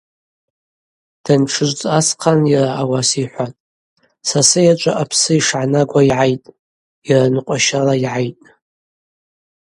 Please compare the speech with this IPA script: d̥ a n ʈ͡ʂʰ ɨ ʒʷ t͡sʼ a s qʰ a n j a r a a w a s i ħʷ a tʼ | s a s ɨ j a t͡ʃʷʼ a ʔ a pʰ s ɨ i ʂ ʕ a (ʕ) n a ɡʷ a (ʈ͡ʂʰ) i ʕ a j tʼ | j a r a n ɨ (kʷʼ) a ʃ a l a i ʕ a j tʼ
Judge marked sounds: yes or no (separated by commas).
no, no, no